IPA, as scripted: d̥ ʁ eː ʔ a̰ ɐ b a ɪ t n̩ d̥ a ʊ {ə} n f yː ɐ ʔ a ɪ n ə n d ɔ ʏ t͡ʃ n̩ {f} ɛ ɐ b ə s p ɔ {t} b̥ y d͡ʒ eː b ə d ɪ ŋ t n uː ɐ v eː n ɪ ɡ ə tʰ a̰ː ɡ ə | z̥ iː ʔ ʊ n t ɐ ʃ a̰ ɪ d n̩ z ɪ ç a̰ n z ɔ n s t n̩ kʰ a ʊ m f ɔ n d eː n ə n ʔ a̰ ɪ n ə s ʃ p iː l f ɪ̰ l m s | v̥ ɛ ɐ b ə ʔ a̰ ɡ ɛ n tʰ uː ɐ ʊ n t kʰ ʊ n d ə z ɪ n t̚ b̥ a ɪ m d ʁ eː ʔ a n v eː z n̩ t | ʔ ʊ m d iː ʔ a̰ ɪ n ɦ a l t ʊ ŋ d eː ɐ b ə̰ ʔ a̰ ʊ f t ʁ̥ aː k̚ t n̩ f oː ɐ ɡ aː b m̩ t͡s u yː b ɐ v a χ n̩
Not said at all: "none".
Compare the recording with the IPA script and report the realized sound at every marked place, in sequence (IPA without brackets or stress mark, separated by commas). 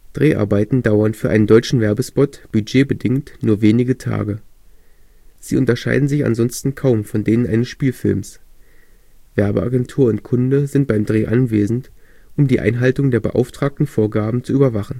ɐ, v, t